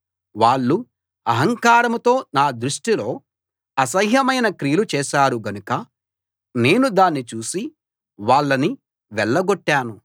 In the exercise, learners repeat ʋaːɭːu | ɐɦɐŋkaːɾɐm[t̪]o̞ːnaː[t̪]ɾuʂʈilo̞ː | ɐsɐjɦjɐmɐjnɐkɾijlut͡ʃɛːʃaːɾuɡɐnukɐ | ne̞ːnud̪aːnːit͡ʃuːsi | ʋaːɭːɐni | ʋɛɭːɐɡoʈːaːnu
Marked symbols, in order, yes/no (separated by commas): yes, no